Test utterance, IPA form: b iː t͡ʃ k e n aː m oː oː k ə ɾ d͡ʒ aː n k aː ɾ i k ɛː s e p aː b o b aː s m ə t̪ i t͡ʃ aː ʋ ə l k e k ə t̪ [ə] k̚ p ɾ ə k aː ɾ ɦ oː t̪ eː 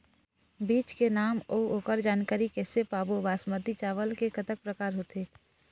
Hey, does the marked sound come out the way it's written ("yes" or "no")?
yes